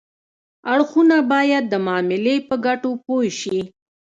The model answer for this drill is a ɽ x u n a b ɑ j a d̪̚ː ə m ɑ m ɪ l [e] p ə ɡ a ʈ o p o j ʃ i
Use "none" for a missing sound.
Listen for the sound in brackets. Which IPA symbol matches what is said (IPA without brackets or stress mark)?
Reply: e